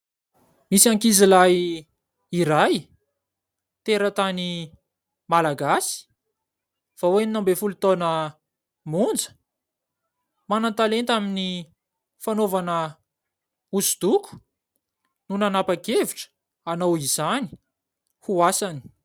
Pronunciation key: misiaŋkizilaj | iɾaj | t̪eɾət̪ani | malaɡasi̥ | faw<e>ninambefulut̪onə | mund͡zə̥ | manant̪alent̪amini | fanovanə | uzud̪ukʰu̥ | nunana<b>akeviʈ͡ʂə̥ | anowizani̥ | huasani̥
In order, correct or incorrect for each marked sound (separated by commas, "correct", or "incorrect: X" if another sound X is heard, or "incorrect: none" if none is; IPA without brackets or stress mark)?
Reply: correct, incorrect: p